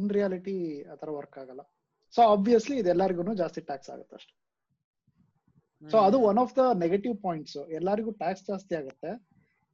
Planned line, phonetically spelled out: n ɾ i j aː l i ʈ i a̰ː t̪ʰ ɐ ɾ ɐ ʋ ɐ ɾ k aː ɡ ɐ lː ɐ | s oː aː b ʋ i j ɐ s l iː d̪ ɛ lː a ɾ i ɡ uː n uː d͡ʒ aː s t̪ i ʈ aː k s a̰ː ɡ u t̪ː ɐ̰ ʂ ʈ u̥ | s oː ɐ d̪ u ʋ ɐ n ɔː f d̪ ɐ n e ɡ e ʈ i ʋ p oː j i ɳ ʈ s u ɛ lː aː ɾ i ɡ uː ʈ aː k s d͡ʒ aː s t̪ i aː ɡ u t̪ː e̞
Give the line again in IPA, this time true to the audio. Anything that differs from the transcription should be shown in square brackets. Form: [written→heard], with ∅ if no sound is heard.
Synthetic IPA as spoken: n ɾ i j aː l i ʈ i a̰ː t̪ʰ ɐ ɾ ɐ ʋ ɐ ɾ k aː ɡ ɐ lː ɐ | s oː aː b ʋ i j ɐ s l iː d̪ ɛ lː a ɾ i ɡ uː n uː d͡ʒ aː s t̪ i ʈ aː k s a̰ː ɡ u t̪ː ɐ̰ ʂ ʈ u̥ | s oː ɐ d̪ u ʋ ɐ n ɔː f d̪ ɐ n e ɡ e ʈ i ʋ p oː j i ɳ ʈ s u ɛ lː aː ɾ i ɡ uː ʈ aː k s d͡ʒ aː s t̪ i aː ɡ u t̪ː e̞